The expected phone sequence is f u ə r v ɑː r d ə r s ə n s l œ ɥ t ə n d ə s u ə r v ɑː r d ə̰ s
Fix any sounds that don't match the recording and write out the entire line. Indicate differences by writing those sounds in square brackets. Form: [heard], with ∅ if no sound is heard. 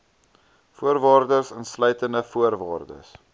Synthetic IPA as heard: f u ə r v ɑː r d ə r s ə n s l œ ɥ t ə n d ə [f] u ə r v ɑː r d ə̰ s